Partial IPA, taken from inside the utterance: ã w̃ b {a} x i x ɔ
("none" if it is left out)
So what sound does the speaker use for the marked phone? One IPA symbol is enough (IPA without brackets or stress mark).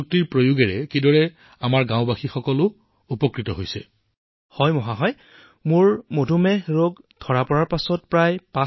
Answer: a